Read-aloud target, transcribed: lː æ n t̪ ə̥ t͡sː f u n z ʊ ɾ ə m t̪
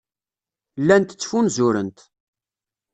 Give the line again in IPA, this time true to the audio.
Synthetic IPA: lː æ n t̪ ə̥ t͡sː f u n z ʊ ɾ ə n t̪